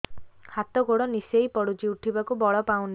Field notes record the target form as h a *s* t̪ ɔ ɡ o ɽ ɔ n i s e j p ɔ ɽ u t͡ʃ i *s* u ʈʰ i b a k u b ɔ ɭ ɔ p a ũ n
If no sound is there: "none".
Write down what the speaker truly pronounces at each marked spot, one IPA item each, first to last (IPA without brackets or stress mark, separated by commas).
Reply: none, none